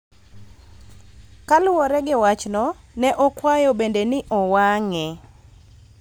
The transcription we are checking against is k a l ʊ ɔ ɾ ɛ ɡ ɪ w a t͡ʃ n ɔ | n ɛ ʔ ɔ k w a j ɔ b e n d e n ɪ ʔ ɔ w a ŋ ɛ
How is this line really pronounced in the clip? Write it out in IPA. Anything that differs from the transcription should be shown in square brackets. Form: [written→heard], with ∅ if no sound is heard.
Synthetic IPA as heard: k a l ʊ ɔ ɾ ɛ ɡ ɪ w a t͡ʃ n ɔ | n ɛ ʔ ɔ k w a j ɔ b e n d e n ɪ ʔ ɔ w a ŋ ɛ